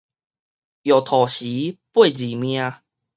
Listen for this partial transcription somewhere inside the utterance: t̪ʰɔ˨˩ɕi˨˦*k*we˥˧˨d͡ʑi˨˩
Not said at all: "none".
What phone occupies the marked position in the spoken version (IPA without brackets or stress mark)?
p